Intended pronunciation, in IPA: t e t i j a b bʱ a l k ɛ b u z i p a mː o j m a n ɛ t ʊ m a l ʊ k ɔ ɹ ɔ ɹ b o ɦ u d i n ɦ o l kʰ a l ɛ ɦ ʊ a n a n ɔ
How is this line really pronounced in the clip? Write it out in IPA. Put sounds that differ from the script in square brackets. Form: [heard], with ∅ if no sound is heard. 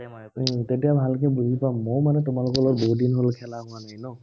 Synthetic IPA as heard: t e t i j a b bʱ a l k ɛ b u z i p a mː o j m a n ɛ t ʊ m a l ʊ k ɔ [l] ɔ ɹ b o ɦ u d i n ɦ o l kʰ [ɛ] l [a] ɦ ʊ a n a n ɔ